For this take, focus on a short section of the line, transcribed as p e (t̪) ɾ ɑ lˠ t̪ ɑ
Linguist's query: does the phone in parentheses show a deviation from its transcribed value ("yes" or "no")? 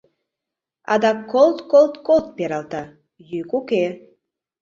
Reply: yes